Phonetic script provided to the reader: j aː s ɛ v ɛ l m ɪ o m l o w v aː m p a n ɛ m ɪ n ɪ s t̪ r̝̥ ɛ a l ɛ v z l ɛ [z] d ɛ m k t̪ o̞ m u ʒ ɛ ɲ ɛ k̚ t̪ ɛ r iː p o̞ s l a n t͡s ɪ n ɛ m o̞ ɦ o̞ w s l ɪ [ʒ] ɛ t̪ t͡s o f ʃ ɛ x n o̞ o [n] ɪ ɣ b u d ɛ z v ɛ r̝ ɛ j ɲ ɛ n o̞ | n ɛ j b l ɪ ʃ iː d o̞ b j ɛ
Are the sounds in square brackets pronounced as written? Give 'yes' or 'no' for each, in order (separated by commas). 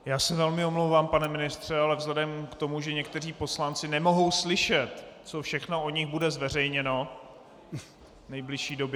no, no, no